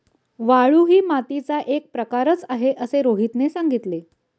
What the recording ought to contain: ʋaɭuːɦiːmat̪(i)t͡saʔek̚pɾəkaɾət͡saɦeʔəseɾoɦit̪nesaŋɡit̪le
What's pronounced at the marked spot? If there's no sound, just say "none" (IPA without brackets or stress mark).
i